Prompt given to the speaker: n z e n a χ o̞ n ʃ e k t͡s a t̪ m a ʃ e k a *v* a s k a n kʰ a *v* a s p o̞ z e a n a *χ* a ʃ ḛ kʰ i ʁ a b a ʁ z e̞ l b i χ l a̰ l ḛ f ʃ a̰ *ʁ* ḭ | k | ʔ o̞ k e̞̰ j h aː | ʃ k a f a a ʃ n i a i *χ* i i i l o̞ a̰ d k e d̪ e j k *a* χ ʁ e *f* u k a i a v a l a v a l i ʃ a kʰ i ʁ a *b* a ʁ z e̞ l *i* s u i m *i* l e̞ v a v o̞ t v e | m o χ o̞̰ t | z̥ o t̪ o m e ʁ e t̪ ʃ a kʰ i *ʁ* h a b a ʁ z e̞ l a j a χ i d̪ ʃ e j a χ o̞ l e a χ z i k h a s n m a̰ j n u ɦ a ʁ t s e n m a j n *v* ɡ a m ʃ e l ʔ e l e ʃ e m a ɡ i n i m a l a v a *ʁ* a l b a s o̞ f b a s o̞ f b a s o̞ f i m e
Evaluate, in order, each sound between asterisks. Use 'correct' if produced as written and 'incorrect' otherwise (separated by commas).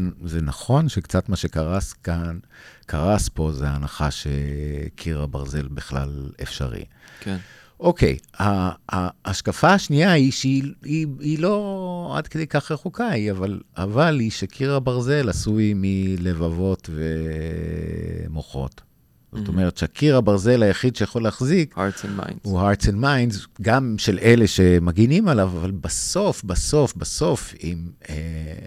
incorrect, incorrect, correct, correct, incorrect, correct, incorrect, correct, incorrect, correct, correct, incorrect, incorrect